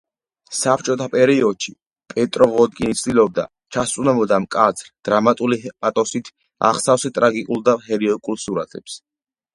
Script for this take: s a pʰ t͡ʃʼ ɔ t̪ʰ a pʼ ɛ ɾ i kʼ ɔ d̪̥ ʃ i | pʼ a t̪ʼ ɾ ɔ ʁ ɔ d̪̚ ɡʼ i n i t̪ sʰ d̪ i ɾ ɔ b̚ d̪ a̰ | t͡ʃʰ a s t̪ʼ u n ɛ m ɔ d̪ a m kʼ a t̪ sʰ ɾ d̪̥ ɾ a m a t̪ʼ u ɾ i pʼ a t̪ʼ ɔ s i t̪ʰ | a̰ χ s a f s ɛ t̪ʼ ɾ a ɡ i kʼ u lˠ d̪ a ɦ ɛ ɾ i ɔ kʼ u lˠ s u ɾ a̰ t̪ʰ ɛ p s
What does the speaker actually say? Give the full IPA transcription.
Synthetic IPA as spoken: s a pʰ t͡ʃʼ ɔ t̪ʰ a pʼ ɛ ɾ i ɔ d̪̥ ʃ i | pʼ ɛ t̪ʼ ɾ ɔ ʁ ɔ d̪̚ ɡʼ i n i t̪ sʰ d̪ i l ɔ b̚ d̪ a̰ | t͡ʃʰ a s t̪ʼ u n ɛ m ɔ d̪ a m kʼ a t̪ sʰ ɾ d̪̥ ɾ a m a t̪ʼ u l i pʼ a t̪ʼ ɔ s i t̪ʰ | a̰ χ s a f s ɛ t̪ʼ ɾ a ɡ i kʼ u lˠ d̪ a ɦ ɛ ɾ i ɔ kʼ u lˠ s u ɾ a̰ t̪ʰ ɛ p s